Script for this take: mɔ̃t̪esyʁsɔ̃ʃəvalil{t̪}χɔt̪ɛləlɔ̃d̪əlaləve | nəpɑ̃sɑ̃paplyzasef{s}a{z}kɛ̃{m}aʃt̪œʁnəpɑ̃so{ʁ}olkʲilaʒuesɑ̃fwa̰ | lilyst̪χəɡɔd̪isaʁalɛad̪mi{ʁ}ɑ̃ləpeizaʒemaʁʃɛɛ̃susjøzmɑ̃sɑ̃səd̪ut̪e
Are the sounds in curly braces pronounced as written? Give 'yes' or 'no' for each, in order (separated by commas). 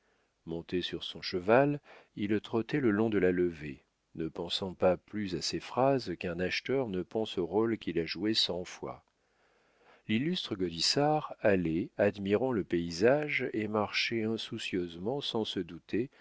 yes, no, yes, no, yes, yes